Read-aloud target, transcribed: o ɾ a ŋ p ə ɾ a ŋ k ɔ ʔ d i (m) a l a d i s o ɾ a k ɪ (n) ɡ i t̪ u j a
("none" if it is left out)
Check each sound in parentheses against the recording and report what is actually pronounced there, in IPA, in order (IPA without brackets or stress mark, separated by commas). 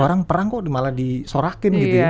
m, n